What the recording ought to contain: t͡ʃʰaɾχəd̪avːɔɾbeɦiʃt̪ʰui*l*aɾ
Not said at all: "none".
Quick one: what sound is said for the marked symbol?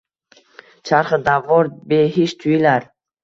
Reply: l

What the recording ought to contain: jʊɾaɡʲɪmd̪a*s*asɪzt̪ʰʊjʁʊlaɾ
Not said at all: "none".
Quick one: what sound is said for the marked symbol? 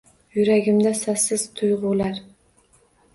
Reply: s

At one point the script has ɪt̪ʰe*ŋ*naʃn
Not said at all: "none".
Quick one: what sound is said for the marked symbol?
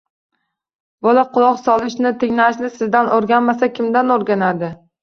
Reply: ŋ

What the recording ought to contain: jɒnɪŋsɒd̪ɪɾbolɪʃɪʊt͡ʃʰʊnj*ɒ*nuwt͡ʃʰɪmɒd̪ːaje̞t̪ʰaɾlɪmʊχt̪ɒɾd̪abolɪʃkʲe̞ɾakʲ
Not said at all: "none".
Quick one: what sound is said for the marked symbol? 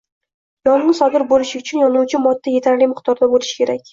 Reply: ɒ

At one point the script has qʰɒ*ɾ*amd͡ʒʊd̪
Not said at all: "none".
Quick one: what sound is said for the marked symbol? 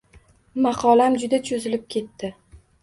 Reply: l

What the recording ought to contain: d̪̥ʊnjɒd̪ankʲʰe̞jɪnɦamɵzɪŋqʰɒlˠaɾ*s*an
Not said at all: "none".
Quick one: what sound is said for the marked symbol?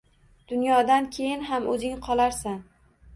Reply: s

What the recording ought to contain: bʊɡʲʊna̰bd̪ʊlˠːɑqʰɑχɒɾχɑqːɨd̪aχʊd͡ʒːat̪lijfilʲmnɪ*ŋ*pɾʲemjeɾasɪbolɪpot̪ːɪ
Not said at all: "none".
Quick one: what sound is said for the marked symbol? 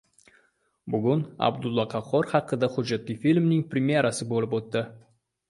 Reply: ŋ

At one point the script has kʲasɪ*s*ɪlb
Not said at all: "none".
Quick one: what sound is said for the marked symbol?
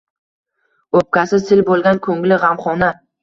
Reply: s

